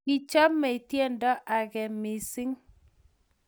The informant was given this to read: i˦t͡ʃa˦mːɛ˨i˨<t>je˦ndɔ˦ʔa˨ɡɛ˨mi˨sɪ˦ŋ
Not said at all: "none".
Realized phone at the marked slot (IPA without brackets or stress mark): t